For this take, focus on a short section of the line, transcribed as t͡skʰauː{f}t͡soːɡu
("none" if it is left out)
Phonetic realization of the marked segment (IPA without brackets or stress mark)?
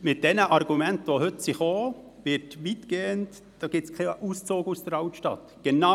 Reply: s